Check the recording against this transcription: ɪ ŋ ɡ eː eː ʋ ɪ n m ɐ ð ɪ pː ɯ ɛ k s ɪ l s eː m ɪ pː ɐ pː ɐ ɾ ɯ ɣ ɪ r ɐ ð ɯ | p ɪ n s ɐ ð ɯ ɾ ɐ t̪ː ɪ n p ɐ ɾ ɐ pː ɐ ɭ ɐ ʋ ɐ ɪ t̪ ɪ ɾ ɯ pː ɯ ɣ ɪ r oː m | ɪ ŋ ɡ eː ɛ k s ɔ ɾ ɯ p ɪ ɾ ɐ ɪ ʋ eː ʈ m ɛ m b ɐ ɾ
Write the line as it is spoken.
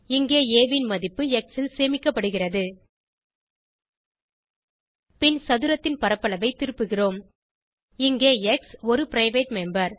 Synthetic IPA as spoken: ɪ ŋ ɡ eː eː ʋ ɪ n m ɐ ð ɪ pː ɯ ɛ k s ɪ l s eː m ɪ kː ɐ pː ɐ ɽ ɯ ɣ ɪ r ɐ ð ɯ | p ɪ n s ɐ ð ɯ ɾ ɐ t̪ː ɪ n p ɐ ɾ ɐ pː ɐ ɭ ɐ ʋ ɐ ɪ t̪ ɪ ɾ ɯ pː ɯ ɣ ɪ r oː m | ɪ ŋ ɡ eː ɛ k s ɔ ɾ ɯ p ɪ ɾ ɐ ɪ ʋ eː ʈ m ɛ m b ɐ ɾ